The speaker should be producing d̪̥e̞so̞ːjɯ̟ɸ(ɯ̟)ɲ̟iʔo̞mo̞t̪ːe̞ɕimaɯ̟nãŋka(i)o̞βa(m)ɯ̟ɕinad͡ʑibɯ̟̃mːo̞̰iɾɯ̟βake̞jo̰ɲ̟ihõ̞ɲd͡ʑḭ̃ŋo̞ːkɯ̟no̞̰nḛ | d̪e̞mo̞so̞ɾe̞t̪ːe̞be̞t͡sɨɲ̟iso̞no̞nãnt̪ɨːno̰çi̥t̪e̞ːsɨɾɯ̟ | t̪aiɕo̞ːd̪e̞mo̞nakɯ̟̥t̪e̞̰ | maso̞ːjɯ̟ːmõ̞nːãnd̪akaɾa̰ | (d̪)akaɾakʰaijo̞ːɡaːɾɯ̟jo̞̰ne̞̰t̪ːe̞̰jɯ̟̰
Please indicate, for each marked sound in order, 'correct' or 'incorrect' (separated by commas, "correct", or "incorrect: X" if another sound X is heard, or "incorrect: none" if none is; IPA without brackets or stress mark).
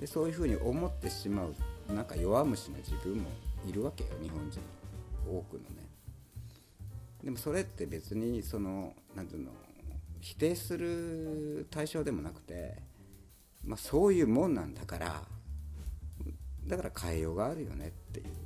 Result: incorrect: ɯ̟ː, incorrect: j, correct, correct